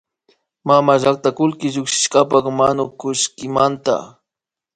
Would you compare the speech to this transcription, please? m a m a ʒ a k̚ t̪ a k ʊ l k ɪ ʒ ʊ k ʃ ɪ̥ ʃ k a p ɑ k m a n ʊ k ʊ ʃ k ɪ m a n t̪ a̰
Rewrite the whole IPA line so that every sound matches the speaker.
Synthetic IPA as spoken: m a m a ʒ a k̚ t̪ a k ʊ l k ɪ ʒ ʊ k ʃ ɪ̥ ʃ k a p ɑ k m a n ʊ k ʊ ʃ k ɪ m a n t̪ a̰